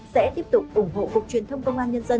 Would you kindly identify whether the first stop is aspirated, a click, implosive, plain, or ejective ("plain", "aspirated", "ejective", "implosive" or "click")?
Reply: plain